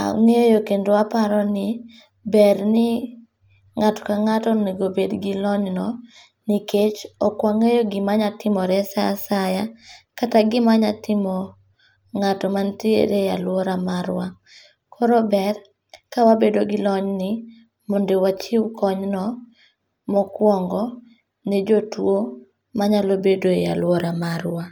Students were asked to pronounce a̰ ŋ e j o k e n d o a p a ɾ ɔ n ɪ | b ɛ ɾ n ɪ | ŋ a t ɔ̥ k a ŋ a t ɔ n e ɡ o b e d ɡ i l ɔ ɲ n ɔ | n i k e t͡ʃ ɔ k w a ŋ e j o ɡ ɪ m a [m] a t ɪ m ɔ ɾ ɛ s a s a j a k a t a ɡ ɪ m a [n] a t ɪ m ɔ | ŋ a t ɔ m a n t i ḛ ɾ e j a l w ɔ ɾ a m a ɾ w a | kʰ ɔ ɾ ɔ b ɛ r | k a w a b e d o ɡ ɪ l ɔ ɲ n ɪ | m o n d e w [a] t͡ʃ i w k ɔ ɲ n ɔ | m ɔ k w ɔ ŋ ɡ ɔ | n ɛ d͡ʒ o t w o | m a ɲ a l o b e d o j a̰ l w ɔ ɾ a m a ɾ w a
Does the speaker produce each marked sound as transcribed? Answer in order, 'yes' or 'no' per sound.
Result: no, no, yes

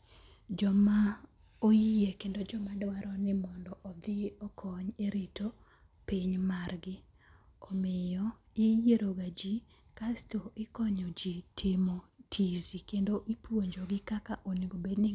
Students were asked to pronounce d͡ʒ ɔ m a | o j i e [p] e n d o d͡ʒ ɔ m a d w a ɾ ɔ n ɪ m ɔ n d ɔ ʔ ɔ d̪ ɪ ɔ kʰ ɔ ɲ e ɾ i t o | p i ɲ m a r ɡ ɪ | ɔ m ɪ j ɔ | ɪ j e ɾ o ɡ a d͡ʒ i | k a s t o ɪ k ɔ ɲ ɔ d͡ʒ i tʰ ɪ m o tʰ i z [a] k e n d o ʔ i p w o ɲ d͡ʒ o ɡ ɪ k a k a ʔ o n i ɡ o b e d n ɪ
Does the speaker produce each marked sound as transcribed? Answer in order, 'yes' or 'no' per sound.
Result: no, no

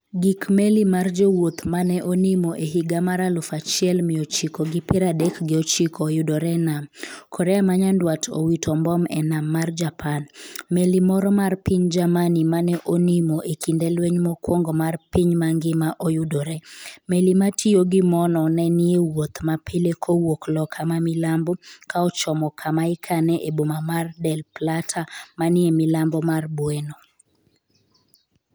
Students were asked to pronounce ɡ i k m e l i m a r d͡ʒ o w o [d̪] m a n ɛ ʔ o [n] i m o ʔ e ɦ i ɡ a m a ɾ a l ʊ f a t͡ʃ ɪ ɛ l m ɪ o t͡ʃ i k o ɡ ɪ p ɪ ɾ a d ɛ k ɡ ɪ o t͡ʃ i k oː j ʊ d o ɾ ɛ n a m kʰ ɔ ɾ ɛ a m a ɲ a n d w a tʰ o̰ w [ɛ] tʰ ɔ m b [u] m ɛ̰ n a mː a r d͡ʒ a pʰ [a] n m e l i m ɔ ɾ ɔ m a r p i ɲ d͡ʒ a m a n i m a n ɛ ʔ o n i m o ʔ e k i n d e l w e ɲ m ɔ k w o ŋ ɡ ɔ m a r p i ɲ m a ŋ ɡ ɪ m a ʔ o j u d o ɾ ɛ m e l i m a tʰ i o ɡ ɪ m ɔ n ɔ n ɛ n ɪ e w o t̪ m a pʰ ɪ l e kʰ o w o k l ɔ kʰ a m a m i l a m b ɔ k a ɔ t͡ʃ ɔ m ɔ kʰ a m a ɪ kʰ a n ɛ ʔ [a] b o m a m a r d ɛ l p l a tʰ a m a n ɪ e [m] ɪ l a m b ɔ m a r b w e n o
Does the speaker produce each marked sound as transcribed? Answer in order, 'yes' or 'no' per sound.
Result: no, yes, no, no, yes, no, yes

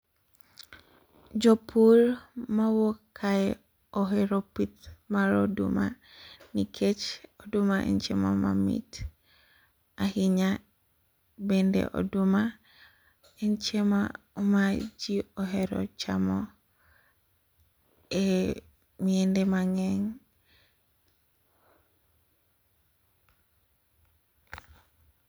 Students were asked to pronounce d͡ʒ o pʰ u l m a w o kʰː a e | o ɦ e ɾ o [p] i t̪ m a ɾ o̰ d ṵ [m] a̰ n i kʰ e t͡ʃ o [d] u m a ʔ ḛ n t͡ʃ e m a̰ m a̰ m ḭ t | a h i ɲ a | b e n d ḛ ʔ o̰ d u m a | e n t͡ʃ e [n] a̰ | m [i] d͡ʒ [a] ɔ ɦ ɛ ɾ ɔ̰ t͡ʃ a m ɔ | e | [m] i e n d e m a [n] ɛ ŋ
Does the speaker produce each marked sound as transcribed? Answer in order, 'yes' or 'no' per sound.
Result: yes, yes, yes, no, no, no, yes, no

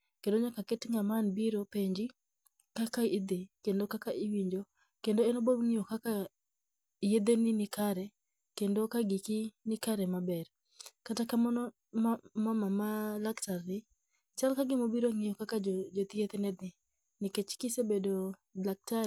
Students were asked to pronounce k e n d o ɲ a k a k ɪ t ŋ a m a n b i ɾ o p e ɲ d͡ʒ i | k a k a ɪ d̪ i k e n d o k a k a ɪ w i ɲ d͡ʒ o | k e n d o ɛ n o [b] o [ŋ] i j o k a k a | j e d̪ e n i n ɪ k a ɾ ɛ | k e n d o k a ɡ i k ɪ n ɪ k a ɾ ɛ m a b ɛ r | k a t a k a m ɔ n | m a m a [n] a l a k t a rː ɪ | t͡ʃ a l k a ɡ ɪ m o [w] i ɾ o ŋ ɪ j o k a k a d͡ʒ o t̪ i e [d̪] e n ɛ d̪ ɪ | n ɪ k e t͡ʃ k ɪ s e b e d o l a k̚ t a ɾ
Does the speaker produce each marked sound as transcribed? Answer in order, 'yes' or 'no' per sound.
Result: yes, yes, no, no, no

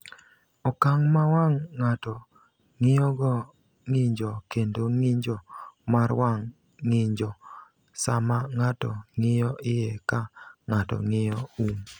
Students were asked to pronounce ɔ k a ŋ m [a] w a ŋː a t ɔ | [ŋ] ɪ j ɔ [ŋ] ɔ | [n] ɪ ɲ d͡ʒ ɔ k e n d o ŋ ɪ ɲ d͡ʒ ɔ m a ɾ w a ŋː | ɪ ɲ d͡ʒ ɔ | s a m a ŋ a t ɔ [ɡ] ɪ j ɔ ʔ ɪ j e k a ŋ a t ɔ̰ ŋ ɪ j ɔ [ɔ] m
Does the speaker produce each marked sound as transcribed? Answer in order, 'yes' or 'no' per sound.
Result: yes, yes, no, no, no, no

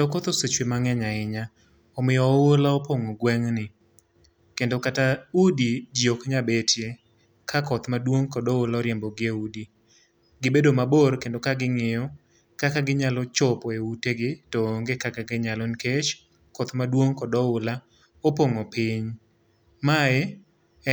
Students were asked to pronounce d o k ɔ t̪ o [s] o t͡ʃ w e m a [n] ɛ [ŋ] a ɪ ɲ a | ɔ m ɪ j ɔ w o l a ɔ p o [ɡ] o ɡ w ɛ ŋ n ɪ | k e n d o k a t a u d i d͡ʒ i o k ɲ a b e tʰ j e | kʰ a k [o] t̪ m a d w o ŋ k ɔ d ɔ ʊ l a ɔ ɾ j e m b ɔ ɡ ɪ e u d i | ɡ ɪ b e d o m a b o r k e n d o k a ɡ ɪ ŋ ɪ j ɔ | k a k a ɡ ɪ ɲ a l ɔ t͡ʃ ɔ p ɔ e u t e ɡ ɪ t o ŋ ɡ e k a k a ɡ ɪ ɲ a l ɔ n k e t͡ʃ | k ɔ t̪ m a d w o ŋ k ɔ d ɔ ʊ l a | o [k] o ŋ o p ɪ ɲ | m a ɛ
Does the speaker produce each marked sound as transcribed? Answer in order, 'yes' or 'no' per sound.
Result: yes, no, no, no, no, no

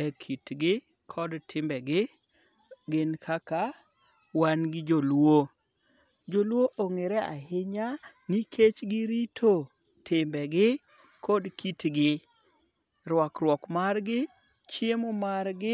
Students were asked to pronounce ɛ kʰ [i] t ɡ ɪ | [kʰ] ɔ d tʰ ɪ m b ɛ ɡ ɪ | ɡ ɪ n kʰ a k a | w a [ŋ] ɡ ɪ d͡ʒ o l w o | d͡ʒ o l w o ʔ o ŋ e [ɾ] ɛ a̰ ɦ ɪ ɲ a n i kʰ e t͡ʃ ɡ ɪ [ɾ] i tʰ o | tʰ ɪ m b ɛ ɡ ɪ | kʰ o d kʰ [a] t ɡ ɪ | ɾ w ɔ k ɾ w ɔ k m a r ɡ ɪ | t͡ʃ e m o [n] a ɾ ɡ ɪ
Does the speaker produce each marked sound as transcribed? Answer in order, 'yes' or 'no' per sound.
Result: yes, yes, no, yes, yes, no, no

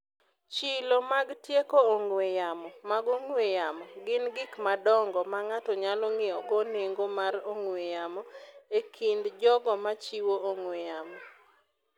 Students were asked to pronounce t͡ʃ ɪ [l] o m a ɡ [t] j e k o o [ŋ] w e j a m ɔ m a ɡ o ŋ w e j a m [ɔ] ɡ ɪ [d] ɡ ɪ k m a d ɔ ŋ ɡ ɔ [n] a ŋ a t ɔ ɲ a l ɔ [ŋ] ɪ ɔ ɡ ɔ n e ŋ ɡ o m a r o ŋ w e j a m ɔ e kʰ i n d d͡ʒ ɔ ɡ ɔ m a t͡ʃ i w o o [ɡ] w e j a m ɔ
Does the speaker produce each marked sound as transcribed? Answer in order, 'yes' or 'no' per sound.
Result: yes, yes, yes, yes, no, no, yes, no

